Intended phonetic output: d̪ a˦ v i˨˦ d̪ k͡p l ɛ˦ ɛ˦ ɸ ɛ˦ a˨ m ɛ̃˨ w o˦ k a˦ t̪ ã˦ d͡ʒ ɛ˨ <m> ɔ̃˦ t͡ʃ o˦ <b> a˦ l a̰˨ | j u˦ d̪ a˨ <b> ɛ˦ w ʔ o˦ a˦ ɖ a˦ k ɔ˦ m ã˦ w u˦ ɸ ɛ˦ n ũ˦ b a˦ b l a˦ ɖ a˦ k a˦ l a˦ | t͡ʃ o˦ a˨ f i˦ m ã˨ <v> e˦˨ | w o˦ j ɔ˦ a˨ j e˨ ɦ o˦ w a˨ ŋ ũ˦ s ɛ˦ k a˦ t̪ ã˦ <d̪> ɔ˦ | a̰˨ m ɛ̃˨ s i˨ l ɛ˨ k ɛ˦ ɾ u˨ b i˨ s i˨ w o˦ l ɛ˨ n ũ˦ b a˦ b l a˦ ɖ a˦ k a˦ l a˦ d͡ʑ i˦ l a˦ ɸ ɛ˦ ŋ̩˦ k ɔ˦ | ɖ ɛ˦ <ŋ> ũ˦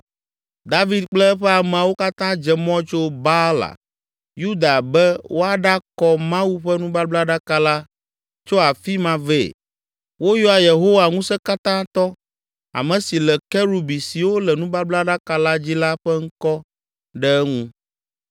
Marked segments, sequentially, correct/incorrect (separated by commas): correct, correct, correct, correct, incorrect, correct